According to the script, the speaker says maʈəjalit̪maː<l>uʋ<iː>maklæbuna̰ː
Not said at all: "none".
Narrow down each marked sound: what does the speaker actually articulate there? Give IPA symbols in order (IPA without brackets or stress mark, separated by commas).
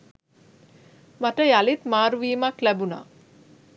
ɾ, iː